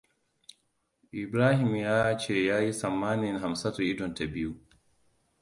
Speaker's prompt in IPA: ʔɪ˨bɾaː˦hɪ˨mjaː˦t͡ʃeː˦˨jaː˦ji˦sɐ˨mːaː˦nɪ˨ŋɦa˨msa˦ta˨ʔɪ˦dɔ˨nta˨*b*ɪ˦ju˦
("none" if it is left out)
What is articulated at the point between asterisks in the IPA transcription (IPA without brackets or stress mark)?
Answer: b